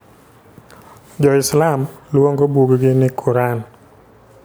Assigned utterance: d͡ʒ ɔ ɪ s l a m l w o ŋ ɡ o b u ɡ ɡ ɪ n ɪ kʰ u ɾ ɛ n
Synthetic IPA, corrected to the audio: d͡ʒ ɔ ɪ s l a m l w o ŋ ɡ o b u ɡ ɡ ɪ n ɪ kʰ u ɾ a n